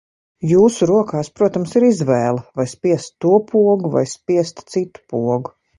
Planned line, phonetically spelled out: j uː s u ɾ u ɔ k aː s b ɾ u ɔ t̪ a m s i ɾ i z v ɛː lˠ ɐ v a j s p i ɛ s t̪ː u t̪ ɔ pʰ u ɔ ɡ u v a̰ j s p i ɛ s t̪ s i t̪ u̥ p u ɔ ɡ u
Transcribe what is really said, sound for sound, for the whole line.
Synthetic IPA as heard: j uː s u ɾ u ɔ k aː s p ɾ u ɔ t̪ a m s i ɾ i z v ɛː lˠ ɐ v a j s p i ɛ s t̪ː u ɔ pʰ u ɔ ɡ u v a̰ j s p i ɛ s t̪ s i t̪ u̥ p u ɔ ɡ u